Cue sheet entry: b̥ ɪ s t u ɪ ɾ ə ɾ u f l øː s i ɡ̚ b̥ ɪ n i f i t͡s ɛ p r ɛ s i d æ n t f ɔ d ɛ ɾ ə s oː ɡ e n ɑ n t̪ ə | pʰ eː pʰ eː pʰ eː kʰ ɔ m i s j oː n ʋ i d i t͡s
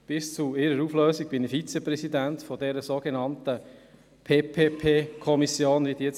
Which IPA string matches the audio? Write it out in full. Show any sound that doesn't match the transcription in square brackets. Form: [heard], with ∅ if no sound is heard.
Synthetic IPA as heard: b̥ ɪ s [t͡s] u ɪ ɾ ə ɾ u f l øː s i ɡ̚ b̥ ɪ n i f i t͡s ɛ p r ɛ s i d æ n t f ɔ d ɛ ɾ ə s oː ɡ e n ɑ n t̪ ə | pʰ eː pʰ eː pʰ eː kʰ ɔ m i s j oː n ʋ i d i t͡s